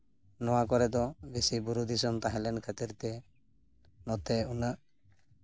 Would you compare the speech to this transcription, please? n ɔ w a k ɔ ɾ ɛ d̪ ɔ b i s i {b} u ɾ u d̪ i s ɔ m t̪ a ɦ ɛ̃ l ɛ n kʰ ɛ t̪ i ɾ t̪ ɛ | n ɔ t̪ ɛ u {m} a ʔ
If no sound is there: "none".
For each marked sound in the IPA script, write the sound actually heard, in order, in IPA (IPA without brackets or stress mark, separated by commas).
b, n